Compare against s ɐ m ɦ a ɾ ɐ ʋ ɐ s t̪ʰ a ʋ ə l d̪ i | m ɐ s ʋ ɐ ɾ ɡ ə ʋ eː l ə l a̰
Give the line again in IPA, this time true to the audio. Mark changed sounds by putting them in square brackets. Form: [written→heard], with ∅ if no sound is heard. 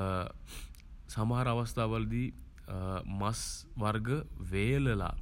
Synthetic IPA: s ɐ m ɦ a ɾ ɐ ʋ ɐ s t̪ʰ a ʋ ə l d̪ i | m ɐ s ʋ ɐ ɾ ɡ ə ʋ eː l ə l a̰